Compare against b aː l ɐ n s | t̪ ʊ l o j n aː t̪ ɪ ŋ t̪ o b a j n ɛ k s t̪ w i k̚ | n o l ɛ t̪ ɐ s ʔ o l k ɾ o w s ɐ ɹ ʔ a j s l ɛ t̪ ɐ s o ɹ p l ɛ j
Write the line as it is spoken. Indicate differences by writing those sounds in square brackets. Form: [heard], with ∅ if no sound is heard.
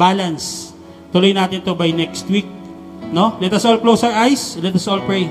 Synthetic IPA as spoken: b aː l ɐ n s | t̪ ʊ l o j n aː t̪ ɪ [n] t̪ o b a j n ɛ k s t̪ w i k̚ | n o l ɛ t̪ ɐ s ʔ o l k [l] o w s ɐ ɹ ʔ a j s l ɛ t̪ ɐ s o [l] p [ɹ] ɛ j